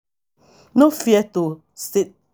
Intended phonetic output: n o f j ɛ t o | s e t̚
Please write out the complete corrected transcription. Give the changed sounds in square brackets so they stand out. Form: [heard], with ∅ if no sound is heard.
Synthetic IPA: n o f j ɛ t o | s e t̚